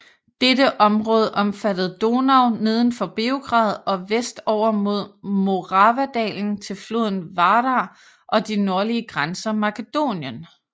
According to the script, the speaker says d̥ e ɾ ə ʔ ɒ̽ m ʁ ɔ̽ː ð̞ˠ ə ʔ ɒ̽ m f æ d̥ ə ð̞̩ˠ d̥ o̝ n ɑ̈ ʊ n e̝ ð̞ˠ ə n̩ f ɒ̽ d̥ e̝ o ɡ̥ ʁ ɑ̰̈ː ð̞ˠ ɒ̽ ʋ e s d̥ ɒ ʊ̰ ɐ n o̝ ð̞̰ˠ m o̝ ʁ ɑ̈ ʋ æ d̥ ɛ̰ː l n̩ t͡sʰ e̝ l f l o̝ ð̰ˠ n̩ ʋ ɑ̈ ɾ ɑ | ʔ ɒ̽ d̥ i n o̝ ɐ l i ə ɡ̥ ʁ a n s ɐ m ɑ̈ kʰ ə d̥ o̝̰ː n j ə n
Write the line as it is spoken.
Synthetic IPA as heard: d̥ e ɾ ə ʔ ɒ̽ m ʁ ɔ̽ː ð̞ˠ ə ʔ ɒ̽ m f æ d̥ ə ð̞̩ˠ d̥ o̝ n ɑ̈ ʊ n e̝ ð̞ˠ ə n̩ f ɒ̽ b̥ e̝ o ɡ̥ ʁ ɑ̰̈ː ð̞ˠ ɒ̽ ʋ e s d̥ ɒ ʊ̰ ɐ m o̝ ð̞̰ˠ m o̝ ʁ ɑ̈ ʋ æ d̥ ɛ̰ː l n̩ t͡sʰ e̝ l f l o̝ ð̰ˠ n̩ ʋ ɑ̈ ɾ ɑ | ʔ ɒ̽ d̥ i n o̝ ɐ l i ə ɡ̥ ʁ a n s ɐ m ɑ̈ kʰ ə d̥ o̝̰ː n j ə n